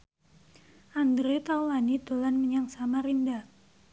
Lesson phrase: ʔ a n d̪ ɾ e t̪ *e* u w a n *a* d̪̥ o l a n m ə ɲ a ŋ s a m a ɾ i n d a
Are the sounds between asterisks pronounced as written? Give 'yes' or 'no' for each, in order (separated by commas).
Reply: no, no